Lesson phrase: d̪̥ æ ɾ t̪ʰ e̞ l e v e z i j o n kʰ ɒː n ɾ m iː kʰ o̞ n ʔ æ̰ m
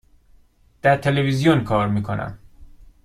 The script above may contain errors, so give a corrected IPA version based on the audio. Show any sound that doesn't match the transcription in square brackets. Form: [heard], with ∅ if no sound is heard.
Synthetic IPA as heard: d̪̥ æ ɾ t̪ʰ e̞ l e v [i] z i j o n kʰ ɒː [∅] ɾ m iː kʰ o̞ n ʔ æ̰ m